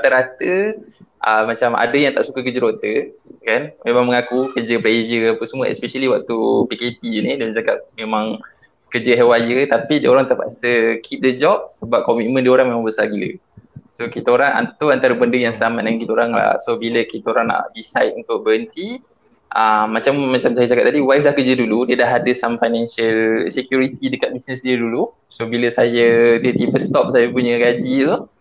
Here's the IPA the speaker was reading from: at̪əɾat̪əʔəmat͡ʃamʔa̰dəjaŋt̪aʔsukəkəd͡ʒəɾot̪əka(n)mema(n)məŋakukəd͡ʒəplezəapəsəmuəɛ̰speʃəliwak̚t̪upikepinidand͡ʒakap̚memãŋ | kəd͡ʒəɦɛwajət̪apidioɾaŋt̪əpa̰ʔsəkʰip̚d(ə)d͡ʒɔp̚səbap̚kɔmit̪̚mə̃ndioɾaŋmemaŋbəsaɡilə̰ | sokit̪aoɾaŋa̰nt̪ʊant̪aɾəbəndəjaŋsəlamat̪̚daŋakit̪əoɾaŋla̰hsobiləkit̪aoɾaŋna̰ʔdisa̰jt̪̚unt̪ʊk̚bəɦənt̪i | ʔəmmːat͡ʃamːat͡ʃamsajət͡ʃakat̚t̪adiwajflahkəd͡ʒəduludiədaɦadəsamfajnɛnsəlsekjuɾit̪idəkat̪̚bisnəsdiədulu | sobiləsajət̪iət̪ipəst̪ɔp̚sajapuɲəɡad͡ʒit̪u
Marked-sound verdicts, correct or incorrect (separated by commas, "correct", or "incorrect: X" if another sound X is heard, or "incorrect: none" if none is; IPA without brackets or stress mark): correct, incorrect: ŋ, correct